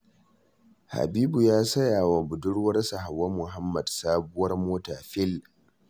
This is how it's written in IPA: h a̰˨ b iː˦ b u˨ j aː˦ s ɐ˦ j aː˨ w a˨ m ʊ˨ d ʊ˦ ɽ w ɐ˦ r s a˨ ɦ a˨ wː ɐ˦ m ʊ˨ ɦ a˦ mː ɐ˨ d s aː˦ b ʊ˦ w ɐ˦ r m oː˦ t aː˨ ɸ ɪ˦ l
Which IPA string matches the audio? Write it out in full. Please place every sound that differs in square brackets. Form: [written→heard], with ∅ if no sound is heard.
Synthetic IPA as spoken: h a̰˨ b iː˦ b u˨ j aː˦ s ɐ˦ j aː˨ w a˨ [m→b] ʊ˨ d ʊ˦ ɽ w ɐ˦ r s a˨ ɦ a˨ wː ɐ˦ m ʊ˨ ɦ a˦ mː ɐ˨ d s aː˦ b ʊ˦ w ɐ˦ r m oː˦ t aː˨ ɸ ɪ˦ l